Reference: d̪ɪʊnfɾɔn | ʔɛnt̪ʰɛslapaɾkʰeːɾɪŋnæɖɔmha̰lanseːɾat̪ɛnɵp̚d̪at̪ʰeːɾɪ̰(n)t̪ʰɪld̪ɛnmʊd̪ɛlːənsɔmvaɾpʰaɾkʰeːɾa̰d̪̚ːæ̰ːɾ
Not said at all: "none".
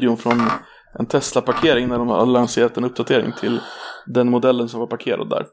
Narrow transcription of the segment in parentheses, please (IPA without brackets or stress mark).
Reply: ŋ